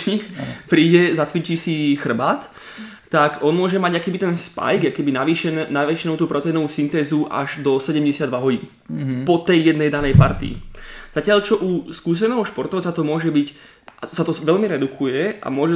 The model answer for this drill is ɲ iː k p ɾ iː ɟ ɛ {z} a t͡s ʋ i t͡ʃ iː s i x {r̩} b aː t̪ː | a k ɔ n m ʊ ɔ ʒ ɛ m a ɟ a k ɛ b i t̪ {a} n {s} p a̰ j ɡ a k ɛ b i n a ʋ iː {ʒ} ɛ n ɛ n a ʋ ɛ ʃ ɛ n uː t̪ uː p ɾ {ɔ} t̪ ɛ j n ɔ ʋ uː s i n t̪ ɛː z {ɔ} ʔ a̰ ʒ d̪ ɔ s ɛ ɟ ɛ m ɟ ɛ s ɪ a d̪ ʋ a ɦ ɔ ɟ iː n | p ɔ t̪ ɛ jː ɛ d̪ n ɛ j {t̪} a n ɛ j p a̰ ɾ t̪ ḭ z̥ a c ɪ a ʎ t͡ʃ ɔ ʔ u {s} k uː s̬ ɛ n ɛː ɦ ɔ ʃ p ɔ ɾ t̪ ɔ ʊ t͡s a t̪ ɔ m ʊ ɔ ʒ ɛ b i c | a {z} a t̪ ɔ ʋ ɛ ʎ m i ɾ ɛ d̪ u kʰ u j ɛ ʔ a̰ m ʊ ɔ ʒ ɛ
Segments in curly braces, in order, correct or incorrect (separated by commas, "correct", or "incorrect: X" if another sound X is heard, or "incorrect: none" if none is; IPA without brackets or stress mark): correct, correct, incorrect: ɛ, correct, incorrect: ʃ, correct, incorrect: u, incorrect: d̪, correct, incorrect: s